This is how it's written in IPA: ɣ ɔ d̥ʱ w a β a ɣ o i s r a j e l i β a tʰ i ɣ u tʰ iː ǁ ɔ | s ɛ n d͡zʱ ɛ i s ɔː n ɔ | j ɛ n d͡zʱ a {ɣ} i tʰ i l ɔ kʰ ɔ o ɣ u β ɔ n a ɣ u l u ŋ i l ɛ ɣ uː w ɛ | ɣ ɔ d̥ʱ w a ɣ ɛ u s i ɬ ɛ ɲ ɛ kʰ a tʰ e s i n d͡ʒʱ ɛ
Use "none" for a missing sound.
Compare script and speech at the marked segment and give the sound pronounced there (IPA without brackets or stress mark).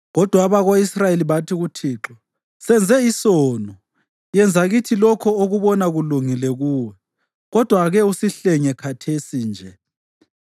ɣ